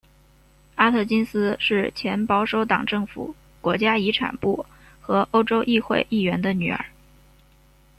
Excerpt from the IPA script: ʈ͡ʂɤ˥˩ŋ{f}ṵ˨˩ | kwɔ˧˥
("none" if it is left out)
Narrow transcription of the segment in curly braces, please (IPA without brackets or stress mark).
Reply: f